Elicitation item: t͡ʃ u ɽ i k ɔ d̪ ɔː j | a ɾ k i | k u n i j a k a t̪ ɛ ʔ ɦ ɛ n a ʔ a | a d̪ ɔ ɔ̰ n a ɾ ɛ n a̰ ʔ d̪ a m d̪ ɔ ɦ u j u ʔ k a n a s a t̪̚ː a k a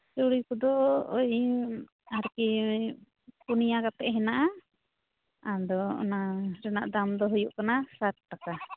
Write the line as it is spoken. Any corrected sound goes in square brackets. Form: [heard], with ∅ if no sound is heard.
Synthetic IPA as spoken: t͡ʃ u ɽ i k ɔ d̪ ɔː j | a ɾ k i | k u n i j a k a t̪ ɛ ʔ ɦ ɛ n a ʔ a | a d̪ ɔ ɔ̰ n a ɾ ɛ n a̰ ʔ d̪ a m d̪ ɔ ɦ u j u ʔ k a n a s a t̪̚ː a k a